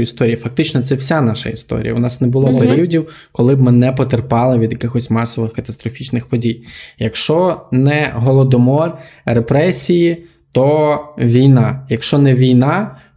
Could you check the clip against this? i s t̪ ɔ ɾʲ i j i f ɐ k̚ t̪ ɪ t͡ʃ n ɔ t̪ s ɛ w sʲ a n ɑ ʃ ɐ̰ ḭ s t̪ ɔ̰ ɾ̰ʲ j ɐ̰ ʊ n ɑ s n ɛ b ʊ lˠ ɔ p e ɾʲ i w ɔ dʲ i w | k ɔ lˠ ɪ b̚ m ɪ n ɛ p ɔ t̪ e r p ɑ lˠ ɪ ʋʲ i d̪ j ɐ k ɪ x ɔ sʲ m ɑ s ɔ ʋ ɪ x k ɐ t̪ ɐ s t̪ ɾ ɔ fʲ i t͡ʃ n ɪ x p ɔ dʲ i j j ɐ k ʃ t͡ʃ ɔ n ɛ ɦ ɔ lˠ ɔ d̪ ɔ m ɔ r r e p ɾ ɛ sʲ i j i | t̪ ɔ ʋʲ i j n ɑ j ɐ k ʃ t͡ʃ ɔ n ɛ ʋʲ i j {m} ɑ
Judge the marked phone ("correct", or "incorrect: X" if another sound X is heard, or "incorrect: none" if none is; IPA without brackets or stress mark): incorrect: n